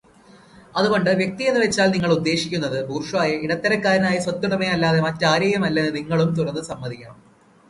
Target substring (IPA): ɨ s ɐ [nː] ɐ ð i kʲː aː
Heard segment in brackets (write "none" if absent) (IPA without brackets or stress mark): mː